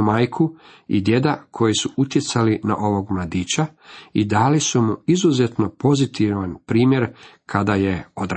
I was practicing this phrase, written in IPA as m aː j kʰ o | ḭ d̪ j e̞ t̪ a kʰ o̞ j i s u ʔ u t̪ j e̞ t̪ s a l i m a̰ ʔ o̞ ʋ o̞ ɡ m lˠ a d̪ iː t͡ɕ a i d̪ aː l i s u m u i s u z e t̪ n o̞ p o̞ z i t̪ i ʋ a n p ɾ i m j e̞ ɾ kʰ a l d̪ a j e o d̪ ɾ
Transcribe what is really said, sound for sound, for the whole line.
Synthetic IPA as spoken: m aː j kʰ u | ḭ d̪ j e̞ d̪ a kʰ o̞ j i s u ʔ u t̪ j e̞ t̪ s a l i n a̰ ʔ o̞ ʋ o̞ ɡ m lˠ a d̪ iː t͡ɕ a i d̪ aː l i s u m u i z u z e t̪ n o̞ p o̞ z i t̪ i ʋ a n p ɾ iː m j e̞ ɾ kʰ a d̪ a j e o d̪ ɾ